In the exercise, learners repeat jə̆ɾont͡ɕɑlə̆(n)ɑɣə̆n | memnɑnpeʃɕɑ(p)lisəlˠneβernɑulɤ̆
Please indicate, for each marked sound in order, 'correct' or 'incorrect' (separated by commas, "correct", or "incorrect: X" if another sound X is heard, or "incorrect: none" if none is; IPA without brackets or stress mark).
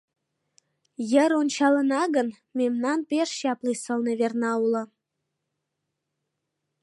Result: correct, correct